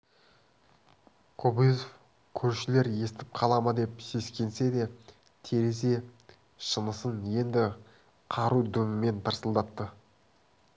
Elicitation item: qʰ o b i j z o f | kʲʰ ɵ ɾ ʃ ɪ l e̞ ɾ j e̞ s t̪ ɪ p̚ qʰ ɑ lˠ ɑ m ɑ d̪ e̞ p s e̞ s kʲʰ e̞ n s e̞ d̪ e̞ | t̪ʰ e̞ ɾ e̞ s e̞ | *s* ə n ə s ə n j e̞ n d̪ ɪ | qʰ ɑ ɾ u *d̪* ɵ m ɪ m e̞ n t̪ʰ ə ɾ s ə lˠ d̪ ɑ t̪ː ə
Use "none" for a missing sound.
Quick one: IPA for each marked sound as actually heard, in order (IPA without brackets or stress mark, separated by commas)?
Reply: ʃ, d̪